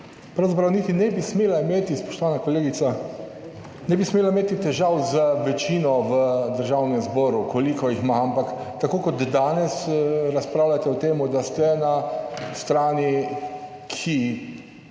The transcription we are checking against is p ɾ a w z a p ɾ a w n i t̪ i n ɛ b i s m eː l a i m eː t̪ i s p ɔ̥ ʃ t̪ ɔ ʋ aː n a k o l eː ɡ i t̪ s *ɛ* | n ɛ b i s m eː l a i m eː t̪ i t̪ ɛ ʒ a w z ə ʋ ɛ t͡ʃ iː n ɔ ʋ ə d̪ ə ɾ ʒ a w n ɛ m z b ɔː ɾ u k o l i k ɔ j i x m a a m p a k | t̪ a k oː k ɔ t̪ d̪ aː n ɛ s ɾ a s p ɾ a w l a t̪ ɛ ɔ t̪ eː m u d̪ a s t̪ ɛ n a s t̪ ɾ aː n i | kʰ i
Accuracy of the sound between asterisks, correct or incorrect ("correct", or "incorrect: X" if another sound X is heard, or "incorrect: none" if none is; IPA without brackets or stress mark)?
incorrect: a